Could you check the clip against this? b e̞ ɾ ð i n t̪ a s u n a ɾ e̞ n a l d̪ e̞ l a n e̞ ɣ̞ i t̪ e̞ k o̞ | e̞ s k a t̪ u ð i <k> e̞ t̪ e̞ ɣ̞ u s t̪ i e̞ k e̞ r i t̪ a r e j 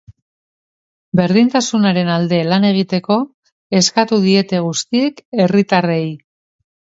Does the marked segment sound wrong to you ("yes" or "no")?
yes